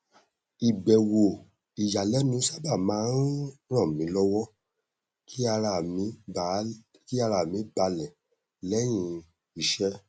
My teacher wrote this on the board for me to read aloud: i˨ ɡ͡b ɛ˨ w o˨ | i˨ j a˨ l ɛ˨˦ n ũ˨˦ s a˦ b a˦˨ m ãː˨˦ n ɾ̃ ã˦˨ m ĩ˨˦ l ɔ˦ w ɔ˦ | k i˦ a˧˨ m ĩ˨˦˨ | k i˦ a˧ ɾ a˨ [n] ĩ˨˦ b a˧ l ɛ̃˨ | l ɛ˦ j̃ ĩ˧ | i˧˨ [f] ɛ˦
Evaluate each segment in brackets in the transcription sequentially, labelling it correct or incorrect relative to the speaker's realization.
incorrect: m, incorrect: ʃ

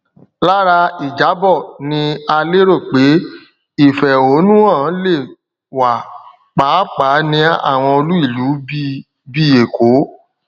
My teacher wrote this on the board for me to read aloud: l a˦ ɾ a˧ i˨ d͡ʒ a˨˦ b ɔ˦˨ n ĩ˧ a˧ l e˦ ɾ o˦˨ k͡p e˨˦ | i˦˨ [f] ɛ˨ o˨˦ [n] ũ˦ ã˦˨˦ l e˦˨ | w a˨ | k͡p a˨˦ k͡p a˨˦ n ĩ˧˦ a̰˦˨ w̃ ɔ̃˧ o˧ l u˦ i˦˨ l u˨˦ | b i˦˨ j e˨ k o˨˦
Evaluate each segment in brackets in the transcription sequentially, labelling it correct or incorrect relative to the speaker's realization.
correct, correct

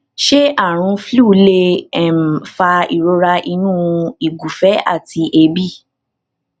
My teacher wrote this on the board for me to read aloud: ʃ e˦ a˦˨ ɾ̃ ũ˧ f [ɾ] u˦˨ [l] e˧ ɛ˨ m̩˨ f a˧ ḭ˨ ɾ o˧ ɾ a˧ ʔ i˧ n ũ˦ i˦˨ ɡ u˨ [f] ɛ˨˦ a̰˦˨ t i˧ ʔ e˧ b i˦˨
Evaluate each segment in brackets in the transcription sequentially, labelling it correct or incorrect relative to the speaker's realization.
incorrect: l, correct, correct

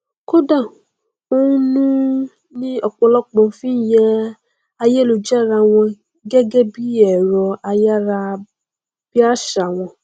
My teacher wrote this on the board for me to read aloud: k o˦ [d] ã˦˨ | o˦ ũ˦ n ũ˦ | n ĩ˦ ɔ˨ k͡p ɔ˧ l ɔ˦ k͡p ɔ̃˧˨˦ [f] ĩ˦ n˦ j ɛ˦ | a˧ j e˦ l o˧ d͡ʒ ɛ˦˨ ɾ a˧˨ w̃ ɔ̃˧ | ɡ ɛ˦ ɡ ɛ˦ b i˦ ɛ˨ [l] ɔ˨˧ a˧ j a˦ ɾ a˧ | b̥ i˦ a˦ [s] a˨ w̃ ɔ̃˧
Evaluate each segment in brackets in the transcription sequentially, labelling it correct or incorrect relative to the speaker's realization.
correct, correct, incorrect: ɾ, incorrect: ʃ

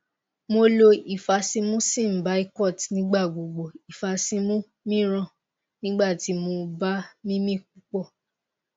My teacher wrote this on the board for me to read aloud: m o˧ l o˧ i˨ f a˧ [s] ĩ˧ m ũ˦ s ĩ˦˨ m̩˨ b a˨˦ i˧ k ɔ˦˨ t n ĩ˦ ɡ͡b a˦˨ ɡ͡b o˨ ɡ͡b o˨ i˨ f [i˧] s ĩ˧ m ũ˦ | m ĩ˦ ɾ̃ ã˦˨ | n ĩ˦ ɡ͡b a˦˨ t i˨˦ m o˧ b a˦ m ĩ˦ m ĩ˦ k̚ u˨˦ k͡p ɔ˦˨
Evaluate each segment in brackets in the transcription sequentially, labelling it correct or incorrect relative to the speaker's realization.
correct, incorrect: a˧

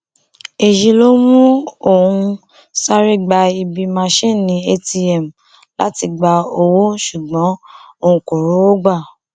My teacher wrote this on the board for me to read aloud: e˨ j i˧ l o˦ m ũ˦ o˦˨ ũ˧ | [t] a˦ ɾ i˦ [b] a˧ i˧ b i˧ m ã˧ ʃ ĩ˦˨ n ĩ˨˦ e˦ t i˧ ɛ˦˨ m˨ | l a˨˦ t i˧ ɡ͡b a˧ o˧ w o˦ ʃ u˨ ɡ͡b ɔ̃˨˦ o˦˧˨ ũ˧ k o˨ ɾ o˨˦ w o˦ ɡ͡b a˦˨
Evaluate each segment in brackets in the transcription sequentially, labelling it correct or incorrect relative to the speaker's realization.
incorrect: s, incorrect: ɡ͡b

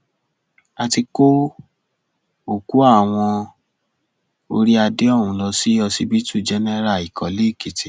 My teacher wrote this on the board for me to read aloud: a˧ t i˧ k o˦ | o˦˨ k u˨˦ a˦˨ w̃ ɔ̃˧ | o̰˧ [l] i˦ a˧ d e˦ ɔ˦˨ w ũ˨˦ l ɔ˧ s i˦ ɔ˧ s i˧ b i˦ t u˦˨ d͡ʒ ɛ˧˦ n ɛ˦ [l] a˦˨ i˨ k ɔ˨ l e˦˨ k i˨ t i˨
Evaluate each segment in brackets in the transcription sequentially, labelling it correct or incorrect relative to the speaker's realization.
incorrect: ɾ, incorrect: ɾ

